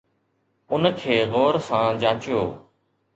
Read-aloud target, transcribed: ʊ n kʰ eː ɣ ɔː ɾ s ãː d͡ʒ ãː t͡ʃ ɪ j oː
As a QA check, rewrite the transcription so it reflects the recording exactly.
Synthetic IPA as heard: ʊ n kʰ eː ɣ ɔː ɾ s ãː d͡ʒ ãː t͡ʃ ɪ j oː

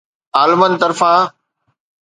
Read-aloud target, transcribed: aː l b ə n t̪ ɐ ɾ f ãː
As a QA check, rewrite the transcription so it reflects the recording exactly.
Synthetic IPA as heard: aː l m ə n t̪ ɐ ɾ f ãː

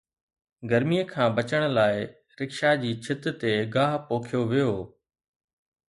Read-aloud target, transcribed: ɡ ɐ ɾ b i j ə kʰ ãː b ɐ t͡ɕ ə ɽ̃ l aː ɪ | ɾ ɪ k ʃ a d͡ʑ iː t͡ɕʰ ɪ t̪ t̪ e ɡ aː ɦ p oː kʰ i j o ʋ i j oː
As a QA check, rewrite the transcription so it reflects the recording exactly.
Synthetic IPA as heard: ɡ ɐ ɾ m i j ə kʰ ãː b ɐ t͡ɕ ə ɽ̃ l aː ɪ | ɾ ɪ k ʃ a d͡ʑ iː t͡ɕʰ ɪ t̪ t̪ e ɡ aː ɦ p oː kʰ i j o ʋ i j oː

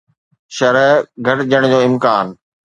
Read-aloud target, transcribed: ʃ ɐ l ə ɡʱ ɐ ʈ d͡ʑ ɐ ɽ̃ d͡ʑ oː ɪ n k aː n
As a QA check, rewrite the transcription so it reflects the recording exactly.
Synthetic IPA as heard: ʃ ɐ ɾ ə ɡʱ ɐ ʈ d͡ʑ ə ɽ̃ d͡ʑ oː ɪ m k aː n

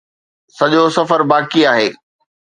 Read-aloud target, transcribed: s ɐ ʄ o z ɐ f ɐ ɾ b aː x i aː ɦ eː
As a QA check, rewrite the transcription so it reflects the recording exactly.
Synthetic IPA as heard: s ɐ ʄ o s ɐ f ə ɾ b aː k i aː ɦ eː

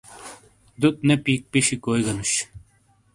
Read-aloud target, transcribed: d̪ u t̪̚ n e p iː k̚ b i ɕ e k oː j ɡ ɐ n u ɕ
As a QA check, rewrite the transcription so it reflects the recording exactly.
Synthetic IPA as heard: d̪ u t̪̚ n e p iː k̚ p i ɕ i k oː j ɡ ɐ n u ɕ

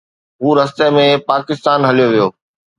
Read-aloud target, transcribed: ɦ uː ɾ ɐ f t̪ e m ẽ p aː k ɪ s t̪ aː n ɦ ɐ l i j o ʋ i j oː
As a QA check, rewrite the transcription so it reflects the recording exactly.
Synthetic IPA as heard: ɦ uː ɾ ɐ s t̪ e m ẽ p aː k ɪ s t̪ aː n ɦ ɐ l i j o ʋ i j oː

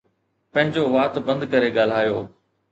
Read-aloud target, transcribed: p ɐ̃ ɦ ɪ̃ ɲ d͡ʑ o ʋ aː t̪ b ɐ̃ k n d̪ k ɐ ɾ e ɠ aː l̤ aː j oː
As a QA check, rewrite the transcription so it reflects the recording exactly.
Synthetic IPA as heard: p ɐ̃ ɦ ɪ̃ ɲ d͡ʑ o ʋ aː t̪ b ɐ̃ n d̪ k ɐ ɾ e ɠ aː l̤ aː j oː

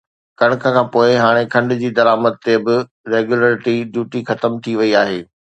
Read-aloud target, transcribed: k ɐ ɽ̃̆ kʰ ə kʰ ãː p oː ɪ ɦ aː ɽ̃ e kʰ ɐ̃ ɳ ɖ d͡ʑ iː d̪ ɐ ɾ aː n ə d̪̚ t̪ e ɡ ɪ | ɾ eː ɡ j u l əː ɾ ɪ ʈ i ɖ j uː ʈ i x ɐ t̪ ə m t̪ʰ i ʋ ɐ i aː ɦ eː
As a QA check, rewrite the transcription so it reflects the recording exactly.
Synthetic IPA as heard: k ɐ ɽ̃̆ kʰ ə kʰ ãː p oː ɪ ɦ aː ɽ̃ e kʰ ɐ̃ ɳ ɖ d͡ʑ iː d̪ ɐ ɾ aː m ə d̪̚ t̪ e b ɪ | ɾ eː ɡ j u l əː ɾ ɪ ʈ i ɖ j uː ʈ i x ɐ t̪ ə m t̪ʰ i ʋ ɐ i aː ɦ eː

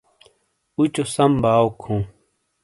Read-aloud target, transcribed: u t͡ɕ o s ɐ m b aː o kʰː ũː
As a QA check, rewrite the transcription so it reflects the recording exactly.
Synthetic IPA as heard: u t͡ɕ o s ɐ m b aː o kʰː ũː

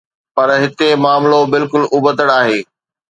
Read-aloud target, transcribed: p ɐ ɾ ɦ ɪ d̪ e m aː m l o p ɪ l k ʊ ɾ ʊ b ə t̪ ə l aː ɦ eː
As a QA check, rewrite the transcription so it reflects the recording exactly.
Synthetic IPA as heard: p ɐ ɾ ɦ ɪ t̪ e m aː m l o b ɪ l k ʊ l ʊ b ə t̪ ə ɽ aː ɦ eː

